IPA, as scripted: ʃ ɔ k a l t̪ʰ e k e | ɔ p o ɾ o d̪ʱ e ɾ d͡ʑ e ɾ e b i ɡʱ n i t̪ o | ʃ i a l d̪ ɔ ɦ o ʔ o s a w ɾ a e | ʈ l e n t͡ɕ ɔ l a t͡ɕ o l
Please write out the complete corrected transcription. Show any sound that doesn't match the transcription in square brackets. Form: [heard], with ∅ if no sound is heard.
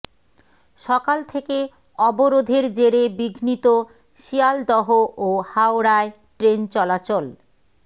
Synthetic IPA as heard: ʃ ɔ k a l t̪ʰ e k e | ɔ [b] o ɾ o d̪ʱ e ɾ d͡ʑ e ɾ e b i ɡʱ n i t̪ o | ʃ i a l d̪ ɔ ɦ o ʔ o [h] a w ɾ a e | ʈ [ɾ] e n t͡ɕ ɔ l a t͡ɕ o l